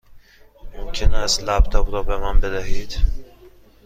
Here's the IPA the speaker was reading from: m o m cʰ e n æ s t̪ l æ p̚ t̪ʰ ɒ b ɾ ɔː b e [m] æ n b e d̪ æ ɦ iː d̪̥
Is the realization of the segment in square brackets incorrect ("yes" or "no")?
no